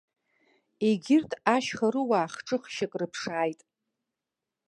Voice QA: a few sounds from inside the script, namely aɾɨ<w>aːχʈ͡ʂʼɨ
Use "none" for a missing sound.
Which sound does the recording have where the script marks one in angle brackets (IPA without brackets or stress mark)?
w